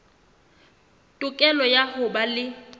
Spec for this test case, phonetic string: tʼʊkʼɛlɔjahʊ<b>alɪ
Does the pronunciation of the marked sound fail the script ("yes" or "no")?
no